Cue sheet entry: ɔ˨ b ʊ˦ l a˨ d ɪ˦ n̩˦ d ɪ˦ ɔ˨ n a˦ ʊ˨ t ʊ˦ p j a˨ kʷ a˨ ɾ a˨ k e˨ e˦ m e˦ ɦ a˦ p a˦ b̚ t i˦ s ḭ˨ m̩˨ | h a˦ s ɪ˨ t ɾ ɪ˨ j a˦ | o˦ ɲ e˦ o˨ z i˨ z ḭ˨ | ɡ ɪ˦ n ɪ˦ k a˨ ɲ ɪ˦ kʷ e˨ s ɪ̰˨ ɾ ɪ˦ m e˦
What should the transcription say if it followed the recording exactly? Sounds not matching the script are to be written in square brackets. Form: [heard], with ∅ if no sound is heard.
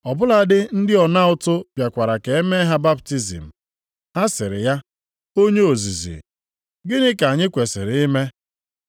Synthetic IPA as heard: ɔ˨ b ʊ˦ l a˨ d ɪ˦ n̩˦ d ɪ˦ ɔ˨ n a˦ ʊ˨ t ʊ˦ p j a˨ kʷ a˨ ɾ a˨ k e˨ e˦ m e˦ ɦ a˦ [b] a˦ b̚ t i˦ [z] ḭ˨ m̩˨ | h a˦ s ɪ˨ [∅] ɾ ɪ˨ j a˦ | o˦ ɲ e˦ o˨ z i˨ z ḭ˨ | ɡ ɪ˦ n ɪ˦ k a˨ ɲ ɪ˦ kʷ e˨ s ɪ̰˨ ɾ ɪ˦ m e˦